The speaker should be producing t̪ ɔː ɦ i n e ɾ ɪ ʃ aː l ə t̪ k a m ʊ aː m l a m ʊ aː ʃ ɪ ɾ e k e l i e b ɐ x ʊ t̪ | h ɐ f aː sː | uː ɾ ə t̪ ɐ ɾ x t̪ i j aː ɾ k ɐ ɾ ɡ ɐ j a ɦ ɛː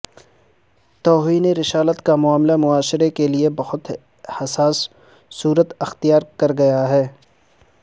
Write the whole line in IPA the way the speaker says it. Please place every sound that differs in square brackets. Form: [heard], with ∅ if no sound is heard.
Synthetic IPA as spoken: t̪ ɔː ɦ [iː] n e ɾ ɪ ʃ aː l ə t̪ k a m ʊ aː m l a m ʊ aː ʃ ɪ ɾ e k e l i e b ɐ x ʊ t̪ | h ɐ [s] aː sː | uː ɾ ə t̪ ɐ [∅] x t̪ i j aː ɾ k ɐ ɾ ɡ ɐ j a ɦ ɛː